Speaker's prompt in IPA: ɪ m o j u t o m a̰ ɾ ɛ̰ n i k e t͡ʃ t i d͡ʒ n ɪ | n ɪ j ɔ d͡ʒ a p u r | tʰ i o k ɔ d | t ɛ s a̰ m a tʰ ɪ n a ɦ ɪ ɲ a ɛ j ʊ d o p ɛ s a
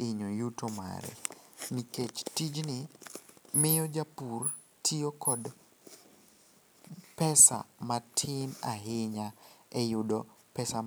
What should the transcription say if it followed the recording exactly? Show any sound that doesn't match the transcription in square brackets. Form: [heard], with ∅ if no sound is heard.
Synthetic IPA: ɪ [ɲ] o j u t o m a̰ ɾ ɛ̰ n i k e t͡ʃ t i d͡ʒ n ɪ | [m] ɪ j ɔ d͡ʒ a p u r | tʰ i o k ɔ d | [p] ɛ s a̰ m a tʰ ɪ n a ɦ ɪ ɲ a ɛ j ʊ d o p ɛ s a

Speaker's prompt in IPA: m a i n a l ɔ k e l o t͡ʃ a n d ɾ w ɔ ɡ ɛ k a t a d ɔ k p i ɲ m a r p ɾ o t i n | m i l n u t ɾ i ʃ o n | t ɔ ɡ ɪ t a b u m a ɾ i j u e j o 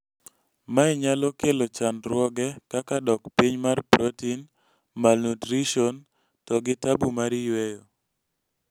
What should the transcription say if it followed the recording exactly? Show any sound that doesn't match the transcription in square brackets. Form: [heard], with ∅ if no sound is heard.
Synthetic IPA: m a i [ɲ] a l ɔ k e l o t͡ʃ a n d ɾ w ɔ ɡ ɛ k a [k] a d ɔ k p i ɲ m a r p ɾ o t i n | m [a] l n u t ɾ i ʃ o n | t ɔ ɡ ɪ t a b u m a ɾ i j [w] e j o

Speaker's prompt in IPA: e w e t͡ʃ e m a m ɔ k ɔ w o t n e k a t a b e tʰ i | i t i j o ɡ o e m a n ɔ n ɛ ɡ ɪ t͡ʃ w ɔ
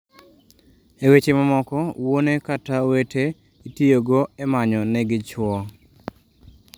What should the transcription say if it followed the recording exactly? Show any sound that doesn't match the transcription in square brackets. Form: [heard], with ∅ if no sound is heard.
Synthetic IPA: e w e t͡ʃ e m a m ɔ k ɔ w o [∅] n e k a t a [w] e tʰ [e] | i t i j o ɡ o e m a [ɲ] ɔ n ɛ ɡ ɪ t͡ʃ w ɔ

